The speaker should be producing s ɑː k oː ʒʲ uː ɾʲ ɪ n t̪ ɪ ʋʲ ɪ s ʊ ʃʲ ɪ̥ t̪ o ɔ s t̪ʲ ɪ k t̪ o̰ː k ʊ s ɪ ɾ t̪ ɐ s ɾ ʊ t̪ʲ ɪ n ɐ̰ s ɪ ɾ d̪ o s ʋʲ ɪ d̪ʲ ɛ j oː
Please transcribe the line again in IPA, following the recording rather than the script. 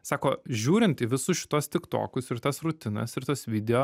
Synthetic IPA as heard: s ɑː k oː ʒʲ uː ɾʲ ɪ n t̪ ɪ ʋʲ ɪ s ʊ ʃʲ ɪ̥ t̪ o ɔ s t̪ʲ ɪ k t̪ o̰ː k ʊ s ɪ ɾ t̪ ɐ s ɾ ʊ t̪ʲ ɪ n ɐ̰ s ɪ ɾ t̪ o s ʋʲ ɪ d̪ʲ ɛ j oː